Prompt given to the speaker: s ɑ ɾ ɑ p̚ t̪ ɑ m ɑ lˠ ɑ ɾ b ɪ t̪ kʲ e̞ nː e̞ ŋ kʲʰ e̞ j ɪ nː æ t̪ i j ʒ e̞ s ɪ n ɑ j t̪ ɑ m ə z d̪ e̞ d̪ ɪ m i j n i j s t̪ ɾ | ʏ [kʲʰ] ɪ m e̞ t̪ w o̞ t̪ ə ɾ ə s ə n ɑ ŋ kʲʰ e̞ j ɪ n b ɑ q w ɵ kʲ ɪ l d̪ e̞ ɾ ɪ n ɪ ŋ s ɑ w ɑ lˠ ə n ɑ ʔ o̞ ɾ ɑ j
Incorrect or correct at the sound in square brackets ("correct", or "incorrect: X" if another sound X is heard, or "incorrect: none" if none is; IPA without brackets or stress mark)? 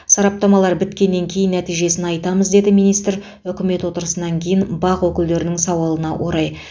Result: incorrect: kʲ